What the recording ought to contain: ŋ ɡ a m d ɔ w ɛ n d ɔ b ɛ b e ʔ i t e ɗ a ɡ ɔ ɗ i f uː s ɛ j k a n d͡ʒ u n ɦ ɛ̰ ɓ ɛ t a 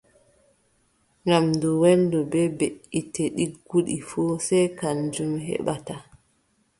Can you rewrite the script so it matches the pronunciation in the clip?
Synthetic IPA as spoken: ŋ ɡ a m d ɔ w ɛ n d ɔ b ɛ b e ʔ i t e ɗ i ɡ u ɗ i f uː s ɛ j k a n d͡ʒ u m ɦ ɛ̰ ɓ a t a